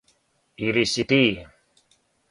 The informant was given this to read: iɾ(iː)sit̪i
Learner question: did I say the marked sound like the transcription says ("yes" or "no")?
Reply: no